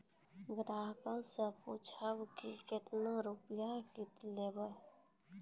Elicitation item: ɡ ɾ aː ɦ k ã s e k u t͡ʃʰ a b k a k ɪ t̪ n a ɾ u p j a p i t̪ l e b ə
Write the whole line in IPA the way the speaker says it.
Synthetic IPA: ɡ ɾ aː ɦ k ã s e p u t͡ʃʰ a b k i k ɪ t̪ n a ɾ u p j a k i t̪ l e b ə